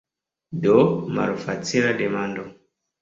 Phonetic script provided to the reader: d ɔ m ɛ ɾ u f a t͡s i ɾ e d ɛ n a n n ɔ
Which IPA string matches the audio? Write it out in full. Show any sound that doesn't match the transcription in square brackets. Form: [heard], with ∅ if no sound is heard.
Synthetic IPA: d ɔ m [a] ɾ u f a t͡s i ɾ [a] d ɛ [m] a n [d] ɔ